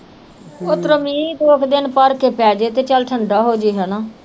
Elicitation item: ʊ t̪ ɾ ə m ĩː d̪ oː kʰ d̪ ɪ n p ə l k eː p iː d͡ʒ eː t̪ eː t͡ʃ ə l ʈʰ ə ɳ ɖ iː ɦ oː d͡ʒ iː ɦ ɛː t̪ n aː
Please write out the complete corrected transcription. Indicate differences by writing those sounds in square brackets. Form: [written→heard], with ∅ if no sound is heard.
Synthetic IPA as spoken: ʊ t̪ ɾ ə m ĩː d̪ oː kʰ d̪ ɪ n p ə [l→ɾ] k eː p [iː→ɛː] d͡ʒ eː t̪ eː t͡ʃ ə l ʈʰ ə ɳ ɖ [iː→aː] ɦ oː d͡ʒ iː ɦ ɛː [t̪→∅] n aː

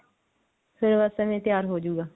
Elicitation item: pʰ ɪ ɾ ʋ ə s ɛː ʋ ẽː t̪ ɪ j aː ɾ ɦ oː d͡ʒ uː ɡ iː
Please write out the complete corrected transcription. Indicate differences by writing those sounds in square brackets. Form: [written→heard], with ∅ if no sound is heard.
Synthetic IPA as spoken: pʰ ɪ ɾ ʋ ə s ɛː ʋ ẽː t̪ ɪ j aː ɾ ɦ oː d͡ʒ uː ɡ [iː→aː]

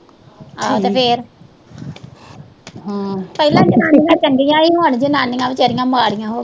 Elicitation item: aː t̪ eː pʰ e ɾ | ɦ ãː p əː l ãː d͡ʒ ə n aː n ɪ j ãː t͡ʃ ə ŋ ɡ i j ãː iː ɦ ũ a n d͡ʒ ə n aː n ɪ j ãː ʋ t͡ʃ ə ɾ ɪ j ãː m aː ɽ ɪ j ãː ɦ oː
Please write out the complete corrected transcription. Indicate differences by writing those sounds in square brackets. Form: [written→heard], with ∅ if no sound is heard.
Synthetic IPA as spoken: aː t̪ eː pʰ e ɾ | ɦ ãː p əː l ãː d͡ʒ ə n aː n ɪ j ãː t͡ʃ ə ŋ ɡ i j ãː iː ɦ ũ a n d͡ʒ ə n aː n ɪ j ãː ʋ t͡ʃ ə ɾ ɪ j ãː m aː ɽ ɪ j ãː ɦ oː

